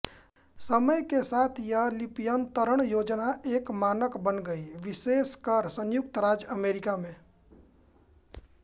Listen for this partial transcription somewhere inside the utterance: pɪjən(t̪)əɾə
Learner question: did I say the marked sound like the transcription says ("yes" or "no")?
yes